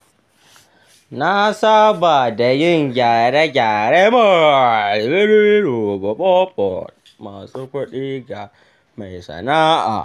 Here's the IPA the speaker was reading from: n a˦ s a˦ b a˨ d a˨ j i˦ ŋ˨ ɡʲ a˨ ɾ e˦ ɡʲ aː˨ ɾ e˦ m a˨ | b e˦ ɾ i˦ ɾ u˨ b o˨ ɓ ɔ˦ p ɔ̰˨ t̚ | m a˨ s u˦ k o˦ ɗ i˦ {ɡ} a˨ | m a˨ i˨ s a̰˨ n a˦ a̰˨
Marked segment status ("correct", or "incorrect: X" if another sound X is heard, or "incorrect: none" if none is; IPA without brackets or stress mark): correct